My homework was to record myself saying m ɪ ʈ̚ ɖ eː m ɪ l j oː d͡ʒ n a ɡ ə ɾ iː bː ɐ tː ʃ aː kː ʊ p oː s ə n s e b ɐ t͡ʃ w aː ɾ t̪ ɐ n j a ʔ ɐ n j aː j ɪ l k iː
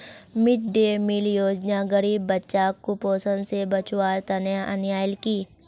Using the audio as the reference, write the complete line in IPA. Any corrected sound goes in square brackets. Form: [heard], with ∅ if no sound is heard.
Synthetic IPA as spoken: m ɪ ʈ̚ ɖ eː m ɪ l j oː d͡ʒ n a ɡ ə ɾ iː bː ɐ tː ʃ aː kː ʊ p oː s ə n s e b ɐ t͡ʃ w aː ɾ t̪ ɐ n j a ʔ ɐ n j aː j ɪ l k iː